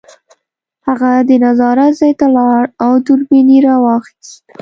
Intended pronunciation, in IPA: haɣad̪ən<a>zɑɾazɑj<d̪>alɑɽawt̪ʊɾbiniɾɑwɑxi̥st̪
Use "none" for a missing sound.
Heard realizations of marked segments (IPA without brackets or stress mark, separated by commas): a, t̪